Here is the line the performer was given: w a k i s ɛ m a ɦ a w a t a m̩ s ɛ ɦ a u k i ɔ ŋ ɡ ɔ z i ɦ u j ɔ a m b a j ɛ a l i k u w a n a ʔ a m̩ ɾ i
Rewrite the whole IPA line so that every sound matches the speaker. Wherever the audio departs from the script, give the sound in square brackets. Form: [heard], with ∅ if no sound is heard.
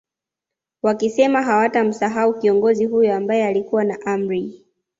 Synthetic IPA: w a k i s ɛ m a ɦ a w a t a m̩ s [a] ɦ a u k i ɔ ŋ ɡ ɔ z i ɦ u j ɔ a m b a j ɛ a l i k u w a n a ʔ a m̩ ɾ i